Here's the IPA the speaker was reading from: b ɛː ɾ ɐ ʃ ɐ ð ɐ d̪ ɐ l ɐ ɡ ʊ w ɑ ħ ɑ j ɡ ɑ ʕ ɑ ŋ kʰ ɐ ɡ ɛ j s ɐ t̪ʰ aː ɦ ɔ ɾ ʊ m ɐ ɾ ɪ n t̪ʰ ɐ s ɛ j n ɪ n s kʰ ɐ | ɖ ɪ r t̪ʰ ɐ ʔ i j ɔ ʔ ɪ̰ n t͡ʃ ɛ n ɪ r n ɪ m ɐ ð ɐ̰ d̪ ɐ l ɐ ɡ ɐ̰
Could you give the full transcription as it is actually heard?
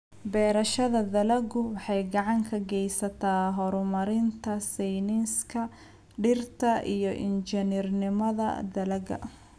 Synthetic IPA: b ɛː ɾ ɐ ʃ ɐ ð ɐ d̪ ɐ l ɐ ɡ ʊ w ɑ ħ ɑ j ɡ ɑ ʕ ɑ ŋ kʰ ɐ ɡ ɛ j s ɐ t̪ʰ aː ɦ ɔ ɾ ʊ m ɐ ɾ ɪ n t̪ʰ ɐ s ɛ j n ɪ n s kʰ ɐ | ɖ ɪ r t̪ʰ ɐ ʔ i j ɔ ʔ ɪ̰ n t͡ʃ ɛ n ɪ r n ɪ m ɐ ð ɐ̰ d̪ ɐ l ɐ ɡ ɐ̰

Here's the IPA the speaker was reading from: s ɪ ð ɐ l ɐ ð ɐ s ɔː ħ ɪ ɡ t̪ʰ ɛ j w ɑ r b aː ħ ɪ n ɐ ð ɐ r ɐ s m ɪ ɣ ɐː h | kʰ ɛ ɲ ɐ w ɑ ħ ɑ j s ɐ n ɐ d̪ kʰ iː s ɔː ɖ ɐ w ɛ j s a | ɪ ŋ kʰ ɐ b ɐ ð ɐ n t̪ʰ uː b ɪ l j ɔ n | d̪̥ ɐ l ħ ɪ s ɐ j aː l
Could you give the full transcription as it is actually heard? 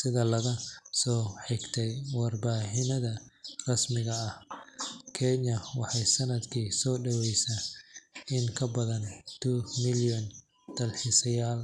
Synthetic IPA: s ɪ ð ɐ l ɐ ɣ ɐ s ɔː ħ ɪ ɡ t̪ʰ ɛ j w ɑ r b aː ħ ɪ n ɐ ð ɐ r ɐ s m ɪ ɣ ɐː h | kʰ ɛ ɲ ɐ w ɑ ħ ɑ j s ɐ n ɐ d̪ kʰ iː s ɔː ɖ ɐ w ɛ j s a | ɪ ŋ kʰ ɐ b ɐ ð ɐ n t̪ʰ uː m ɪ l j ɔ n | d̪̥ ɐ l ħ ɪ s ɐ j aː l

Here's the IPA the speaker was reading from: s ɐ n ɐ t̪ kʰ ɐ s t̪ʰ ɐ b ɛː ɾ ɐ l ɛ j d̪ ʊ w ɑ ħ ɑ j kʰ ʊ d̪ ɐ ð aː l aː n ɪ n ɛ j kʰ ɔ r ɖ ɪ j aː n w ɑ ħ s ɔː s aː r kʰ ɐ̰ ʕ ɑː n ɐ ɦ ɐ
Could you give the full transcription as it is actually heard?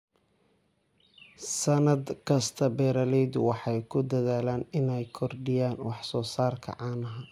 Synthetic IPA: s ɐ n ɐ d̪ kʰ ɐ s t̪ʰ ɐ b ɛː ɾ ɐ l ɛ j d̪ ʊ w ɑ ħ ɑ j kʰ ʊ d̪ ɐ ð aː l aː n ɪ n ɛ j kʰ ɔ r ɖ ɪ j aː n w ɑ ħ s ɔː s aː r kʰ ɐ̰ ʕ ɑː n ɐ ɦ ɐ

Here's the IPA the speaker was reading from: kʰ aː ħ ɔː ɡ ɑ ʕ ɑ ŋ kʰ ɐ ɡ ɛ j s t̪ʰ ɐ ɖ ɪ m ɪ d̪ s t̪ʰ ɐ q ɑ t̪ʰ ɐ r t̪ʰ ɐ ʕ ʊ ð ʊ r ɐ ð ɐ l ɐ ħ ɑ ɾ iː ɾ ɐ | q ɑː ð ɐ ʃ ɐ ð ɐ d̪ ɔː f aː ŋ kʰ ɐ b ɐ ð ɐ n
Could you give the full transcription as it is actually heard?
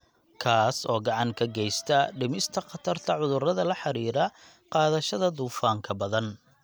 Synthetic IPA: kʰ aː s ɔː ɡ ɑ ʕ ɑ ŋ kʰ ɐ ɡ ɛ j s t̪ʰ ɐ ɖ ɪ m ɪ s t̪ʰ ɐ q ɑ t̪ʰ ɐ r t̪ʰ ɐ ʕ ʊ ð ʊ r ɐ ð ɐ l ɐ ħ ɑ ɾ iː ɾ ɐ | q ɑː ð ɐ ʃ ɐ ð ɐ d̪ uː f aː ŋ kʰ ɐ b ɐ ð ɐ n

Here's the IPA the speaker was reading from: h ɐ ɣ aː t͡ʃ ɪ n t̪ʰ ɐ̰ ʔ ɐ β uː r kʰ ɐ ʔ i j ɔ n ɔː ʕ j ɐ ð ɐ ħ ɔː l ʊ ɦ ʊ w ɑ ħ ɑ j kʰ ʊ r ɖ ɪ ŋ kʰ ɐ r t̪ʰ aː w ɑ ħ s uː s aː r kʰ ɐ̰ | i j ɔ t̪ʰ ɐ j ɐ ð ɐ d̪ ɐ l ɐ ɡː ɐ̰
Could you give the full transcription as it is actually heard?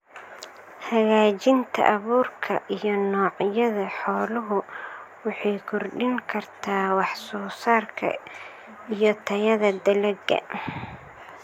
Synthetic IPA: h ɐ ɣ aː t͡ʃ ɪ n t̪ʰ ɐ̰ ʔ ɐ β uː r kʰ ɐ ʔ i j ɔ n ɔː ʕ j ɐ ð ɐ ħ ɔː l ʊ ɦ ʊ w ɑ ħ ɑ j kʰ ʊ r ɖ ɪ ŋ kʰ ɐ r t̪ʰ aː w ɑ ħ s ɔː s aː r kʰ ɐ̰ | i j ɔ t̪ʰ ɐ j ɐ ð ɐ d̪ ɐ l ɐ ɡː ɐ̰

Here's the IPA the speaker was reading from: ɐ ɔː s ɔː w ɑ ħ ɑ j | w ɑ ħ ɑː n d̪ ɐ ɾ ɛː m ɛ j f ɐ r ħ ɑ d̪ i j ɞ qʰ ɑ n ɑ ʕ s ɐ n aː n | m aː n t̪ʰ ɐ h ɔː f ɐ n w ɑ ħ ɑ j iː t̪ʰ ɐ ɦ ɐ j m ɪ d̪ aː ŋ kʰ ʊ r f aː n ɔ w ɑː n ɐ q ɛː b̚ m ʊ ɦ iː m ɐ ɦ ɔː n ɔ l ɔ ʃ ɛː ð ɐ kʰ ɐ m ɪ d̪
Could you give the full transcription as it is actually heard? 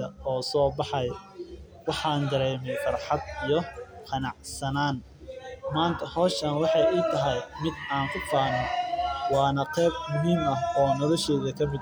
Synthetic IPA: ɐ ɔː s ɔː b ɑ ħ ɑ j | w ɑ ħ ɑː n d̪ ɐ ɾ ɛː m ɛ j f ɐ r ħ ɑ d̪ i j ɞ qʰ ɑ n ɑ ʕ s ɐ n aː n | m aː n t̪ʰ ɐ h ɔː ʃ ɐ n w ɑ ħ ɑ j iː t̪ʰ ɐ ɦ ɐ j m ɪ d̪ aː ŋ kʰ ʊ f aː n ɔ w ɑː n ɐ q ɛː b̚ m ʊ ɦ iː m ɐ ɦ ɔː n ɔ l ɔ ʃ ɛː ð ɐ kʰ ɐ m ɪ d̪

